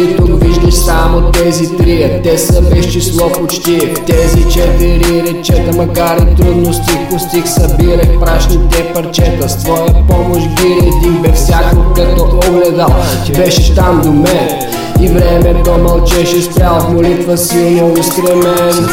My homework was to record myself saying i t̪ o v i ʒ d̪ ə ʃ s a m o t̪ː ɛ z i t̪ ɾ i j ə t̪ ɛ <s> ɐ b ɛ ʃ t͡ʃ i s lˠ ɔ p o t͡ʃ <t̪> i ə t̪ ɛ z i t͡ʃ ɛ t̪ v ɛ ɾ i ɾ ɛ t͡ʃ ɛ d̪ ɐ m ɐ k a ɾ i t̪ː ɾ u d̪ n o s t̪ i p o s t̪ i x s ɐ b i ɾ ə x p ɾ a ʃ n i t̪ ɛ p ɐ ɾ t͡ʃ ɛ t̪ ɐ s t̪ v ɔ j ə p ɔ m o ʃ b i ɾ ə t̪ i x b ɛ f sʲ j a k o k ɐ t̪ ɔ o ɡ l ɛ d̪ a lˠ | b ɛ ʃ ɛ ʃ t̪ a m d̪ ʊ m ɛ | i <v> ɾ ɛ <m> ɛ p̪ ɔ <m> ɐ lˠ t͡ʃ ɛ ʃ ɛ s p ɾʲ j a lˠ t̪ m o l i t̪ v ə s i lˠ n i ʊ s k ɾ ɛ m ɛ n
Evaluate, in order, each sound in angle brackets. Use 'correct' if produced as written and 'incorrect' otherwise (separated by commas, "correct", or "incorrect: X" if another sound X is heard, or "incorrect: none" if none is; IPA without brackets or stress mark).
correct, correct, correct, correct, correct